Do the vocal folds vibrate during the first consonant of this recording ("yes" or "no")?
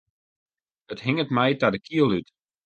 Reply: no